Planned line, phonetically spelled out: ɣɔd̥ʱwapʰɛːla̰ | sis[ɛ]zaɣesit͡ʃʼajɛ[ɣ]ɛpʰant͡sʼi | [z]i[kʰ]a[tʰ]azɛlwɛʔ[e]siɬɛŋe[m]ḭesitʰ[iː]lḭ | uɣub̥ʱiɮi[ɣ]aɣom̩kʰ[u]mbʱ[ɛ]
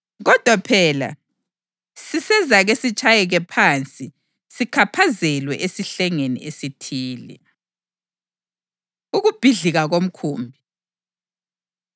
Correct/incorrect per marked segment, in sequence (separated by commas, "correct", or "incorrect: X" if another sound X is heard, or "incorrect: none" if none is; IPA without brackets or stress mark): correct, correct, incorrect: s, correct, incorrect: pʰ, correct, incorrect: n, correct, correct, incorrect: uː, incorrect: i